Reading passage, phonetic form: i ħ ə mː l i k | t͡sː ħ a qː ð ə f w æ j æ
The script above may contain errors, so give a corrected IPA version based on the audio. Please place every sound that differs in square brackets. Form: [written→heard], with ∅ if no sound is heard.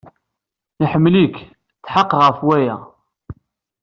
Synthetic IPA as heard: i ħ ə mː l i k | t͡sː ħ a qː [ð→ʁ] ə f w æ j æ